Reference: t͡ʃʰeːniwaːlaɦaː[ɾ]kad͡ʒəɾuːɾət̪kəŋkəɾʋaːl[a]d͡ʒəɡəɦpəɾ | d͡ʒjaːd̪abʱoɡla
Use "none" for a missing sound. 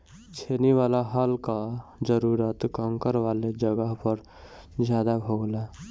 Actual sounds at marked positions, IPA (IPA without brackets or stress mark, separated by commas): l, e